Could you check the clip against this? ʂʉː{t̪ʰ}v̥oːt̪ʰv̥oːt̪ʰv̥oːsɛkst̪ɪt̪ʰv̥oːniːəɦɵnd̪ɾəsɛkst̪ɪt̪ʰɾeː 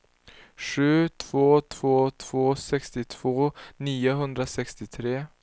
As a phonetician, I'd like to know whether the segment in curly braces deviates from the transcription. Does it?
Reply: no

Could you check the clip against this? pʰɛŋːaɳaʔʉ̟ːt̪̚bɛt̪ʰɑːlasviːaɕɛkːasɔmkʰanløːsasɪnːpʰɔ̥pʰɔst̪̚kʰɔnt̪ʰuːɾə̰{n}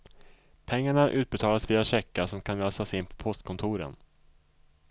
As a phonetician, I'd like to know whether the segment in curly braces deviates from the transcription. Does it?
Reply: no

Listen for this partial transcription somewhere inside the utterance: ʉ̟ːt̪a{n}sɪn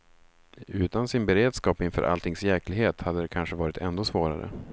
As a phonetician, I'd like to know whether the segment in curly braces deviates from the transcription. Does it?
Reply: no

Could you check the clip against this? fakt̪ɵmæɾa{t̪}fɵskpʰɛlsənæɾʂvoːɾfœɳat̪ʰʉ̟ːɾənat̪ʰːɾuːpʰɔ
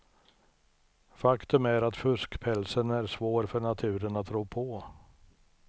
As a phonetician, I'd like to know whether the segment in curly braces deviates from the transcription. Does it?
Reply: no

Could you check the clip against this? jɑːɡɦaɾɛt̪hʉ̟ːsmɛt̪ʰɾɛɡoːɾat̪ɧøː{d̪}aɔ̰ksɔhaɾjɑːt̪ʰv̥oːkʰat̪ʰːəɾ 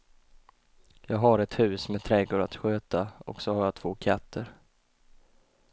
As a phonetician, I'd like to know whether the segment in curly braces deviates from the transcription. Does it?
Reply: yes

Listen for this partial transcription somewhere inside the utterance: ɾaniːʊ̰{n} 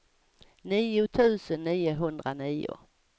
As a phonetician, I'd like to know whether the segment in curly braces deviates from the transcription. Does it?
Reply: yes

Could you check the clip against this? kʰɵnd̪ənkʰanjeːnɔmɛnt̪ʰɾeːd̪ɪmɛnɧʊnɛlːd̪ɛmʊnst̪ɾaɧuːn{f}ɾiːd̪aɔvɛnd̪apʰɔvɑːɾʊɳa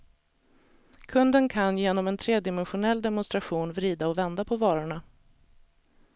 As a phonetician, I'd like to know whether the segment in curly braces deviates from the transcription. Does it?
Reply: yes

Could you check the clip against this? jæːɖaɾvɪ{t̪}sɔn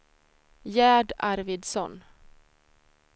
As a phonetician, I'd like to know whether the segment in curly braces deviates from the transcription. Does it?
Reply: yes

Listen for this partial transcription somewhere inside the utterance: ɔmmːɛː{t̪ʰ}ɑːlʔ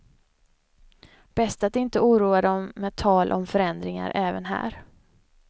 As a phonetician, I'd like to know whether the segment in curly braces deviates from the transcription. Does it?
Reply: no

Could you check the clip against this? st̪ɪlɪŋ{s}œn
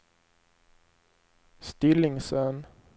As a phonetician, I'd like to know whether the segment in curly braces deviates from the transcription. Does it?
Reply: no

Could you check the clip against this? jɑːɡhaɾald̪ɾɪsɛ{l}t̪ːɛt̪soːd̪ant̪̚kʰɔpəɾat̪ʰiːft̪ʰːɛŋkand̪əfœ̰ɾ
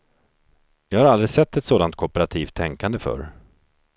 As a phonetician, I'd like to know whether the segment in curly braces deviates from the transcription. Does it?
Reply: yes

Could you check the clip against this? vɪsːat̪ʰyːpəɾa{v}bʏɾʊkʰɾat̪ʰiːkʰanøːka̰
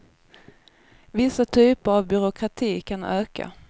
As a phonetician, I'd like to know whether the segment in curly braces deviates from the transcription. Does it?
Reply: no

